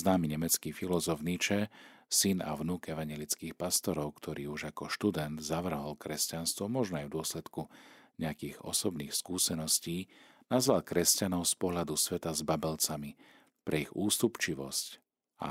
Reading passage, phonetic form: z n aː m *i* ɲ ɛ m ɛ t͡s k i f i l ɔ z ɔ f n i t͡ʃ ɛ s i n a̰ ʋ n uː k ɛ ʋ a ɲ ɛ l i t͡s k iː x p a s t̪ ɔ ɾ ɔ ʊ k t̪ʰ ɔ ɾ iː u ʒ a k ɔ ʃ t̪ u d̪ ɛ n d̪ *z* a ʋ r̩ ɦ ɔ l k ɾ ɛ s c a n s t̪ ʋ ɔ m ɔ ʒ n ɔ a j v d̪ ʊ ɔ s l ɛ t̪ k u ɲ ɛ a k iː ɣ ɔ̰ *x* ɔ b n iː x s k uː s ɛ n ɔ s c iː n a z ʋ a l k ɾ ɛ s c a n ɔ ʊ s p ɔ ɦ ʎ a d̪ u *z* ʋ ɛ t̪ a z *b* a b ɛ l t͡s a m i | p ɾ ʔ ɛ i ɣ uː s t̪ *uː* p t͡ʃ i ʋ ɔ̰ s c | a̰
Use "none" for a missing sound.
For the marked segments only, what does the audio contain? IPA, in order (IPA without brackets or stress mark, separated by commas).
i, z, s, s, b, u